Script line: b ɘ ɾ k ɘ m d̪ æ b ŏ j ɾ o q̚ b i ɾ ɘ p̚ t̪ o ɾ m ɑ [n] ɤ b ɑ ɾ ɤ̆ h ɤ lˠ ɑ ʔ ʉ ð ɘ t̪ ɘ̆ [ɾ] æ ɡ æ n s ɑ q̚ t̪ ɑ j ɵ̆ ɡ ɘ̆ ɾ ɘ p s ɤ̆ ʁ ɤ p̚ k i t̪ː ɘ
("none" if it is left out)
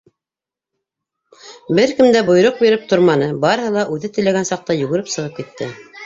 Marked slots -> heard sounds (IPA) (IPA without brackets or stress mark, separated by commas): n, l